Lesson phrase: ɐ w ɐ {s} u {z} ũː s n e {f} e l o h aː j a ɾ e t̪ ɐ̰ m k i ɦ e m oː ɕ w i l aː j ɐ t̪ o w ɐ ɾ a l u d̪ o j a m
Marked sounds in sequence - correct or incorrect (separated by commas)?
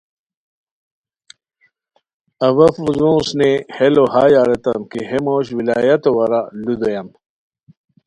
incorrect, correct, incorrect